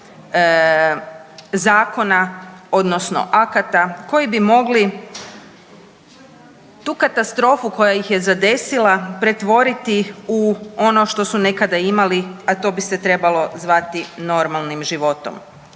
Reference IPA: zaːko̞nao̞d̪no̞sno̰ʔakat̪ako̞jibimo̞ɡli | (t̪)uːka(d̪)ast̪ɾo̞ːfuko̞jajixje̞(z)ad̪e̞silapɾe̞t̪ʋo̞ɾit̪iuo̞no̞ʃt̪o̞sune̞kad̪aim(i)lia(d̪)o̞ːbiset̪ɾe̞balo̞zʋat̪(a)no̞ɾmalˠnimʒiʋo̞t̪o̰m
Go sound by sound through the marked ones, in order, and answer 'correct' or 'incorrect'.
correct, incorrect, correct, incorrect, incorrect, incorrect

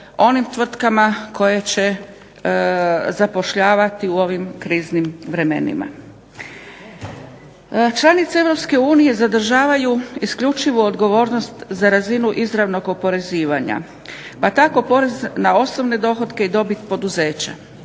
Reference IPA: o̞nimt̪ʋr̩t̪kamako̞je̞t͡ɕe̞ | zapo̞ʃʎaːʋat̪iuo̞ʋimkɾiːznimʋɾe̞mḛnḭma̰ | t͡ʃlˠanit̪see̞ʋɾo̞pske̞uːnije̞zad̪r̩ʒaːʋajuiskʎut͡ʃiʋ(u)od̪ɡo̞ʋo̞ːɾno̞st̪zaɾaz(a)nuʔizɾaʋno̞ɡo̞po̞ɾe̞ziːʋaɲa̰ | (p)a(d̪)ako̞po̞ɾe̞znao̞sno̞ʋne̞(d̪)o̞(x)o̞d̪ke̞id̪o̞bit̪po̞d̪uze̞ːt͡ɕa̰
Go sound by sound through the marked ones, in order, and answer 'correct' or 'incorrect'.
correct, incorrect, correct, incorrect, correct, correct

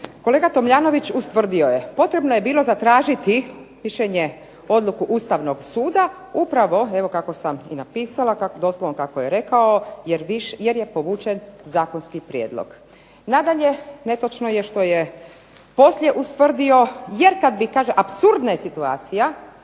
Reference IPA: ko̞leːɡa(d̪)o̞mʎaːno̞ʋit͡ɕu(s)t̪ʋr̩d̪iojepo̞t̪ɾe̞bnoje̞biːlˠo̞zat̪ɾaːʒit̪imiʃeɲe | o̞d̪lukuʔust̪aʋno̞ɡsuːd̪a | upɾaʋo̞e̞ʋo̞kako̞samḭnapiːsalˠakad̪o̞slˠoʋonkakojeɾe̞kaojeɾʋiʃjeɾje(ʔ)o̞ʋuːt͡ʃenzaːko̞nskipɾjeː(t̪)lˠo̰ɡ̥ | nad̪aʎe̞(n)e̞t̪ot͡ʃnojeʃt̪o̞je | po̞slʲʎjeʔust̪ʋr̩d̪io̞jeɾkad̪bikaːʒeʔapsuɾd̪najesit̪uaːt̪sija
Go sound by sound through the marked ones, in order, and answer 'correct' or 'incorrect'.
incorrect, correct, incorrect, incorrect, correct

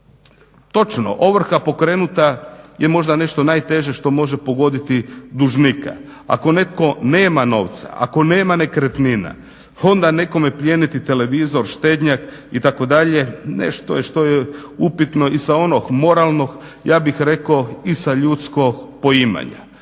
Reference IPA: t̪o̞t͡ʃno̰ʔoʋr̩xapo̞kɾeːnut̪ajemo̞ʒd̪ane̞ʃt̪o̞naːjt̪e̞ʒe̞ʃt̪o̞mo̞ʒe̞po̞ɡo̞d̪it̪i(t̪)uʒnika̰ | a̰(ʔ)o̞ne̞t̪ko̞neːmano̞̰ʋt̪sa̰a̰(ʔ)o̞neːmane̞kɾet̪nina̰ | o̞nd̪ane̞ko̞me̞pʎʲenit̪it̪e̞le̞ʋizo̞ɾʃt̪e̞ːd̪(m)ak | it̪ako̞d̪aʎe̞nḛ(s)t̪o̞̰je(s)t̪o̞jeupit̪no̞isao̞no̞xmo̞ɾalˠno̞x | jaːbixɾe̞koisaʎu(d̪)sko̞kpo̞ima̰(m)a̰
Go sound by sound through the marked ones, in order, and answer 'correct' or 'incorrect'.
incorrect, incorrect, incorrect, incorrect, incorrect, incorrect, incorrect, incorrect

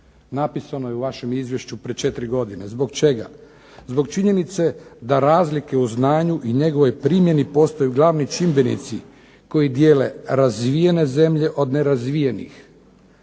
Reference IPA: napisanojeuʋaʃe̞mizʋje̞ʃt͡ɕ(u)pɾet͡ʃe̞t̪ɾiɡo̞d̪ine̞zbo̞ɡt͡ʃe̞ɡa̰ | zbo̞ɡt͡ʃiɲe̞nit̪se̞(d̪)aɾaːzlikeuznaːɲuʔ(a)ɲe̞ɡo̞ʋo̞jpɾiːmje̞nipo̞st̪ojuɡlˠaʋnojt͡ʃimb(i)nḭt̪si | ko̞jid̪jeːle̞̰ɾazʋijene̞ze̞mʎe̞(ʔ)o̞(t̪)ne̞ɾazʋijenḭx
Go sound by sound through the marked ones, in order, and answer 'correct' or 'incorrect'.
correct, correct, incorrect, incorrect, correct, incorrect

